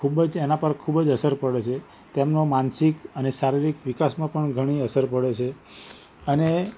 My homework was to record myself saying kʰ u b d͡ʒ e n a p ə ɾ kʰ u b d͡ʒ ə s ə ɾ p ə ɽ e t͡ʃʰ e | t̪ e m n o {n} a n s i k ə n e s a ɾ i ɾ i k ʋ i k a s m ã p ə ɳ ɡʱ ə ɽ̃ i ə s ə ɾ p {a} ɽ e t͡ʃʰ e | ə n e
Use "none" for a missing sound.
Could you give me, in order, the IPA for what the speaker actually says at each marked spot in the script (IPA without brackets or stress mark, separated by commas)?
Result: m, ə